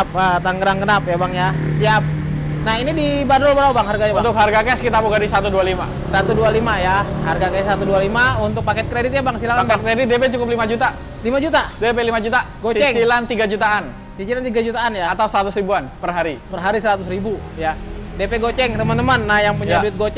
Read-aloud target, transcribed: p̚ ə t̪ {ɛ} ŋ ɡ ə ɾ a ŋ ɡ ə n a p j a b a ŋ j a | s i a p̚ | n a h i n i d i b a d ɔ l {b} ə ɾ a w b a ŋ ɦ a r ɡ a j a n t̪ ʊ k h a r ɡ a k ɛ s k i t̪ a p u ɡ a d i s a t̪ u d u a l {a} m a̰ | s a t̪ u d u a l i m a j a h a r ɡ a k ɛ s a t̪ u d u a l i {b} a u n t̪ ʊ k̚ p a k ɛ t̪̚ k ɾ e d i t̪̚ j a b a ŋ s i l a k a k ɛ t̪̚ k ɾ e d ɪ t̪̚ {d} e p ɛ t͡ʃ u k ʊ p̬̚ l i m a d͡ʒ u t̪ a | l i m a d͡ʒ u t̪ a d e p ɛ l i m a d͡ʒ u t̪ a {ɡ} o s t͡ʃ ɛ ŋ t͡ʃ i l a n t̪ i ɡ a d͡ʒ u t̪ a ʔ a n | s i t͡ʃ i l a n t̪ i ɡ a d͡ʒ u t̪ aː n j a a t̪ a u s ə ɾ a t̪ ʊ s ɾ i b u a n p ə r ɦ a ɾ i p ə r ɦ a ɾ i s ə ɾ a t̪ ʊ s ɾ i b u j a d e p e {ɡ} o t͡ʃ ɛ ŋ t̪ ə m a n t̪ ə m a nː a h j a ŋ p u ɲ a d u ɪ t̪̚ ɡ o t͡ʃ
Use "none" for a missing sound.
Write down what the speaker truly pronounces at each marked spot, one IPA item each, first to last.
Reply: a, b, i, m, d, ɡ, ɡ

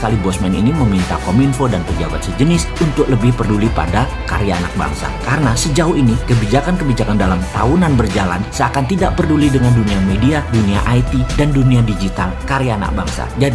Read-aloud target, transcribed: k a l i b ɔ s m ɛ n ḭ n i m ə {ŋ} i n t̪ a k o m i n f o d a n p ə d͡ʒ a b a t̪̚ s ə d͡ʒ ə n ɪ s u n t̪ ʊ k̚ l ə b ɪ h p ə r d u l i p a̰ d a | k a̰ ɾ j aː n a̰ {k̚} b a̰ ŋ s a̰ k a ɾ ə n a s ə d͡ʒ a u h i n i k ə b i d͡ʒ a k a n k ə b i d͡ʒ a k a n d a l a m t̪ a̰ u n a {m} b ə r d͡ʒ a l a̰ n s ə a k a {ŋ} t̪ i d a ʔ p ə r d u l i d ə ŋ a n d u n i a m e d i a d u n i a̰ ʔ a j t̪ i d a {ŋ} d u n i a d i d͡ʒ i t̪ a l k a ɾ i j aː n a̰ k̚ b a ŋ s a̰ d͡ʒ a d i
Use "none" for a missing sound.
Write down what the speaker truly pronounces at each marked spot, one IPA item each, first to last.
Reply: m, k̚, n, n, n

